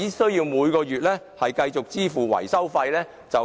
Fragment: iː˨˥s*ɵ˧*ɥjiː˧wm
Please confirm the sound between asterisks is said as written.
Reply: no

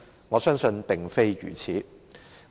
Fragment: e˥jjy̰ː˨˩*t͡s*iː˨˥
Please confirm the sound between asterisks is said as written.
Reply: no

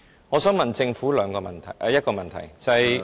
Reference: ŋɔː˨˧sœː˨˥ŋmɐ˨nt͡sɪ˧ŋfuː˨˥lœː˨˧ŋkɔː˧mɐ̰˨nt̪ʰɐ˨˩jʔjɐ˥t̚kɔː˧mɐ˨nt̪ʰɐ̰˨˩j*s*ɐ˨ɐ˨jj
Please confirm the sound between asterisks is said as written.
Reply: no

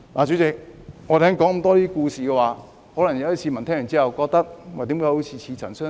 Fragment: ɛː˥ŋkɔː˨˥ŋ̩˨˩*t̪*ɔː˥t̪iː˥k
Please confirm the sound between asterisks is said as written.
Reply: yes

